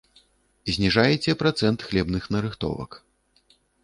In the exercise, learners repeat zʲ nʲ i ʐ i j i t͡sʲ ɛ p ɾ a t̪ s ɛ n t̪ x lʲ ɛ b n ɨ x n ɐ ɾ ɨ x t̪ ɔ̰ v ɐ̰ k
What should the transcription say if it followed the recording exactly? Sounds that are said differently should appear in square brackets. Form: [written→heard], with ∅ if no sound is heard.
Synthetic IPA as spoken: zʲ nʲ i ʐ [i→a] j [i→ɛ] t͡sʲ ɛ p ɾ a t̪ s ɛ n t̪ x lʲ ɛ b n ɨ x n ɐ ɾ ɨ x t̪ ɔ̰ v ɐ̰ k